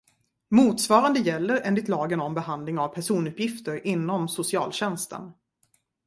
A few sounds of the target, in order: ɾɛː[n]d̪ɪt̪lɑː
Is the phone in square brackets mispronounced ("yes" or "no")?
no